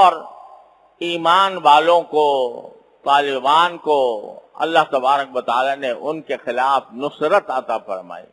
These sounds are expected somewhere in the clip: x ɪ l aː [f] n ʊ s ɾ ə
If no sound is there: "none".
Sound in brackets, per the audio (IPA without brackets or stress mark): f